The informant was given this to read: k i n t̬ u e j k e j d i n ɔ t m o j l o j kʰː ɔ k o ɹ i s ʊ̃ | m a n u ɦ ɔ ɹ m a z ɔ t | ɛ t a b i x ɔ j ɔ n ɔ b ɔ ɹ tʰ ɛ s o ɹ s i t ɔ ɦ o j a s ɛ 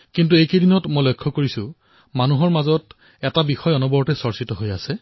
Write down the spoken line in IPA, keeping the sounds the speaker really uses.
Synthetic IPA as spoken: k i n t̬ u e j k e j d i n ɔ t m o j l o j kʰː ɔ k o ɹ i s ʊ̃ | m a n u ɦ ɔ ɹ m a z ɔ t | ɛ t a b i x ɔ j ɔ n ɔ b ɔ ɹ t ɛ s ɔ ɹ s i t ɔ ɦ o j a s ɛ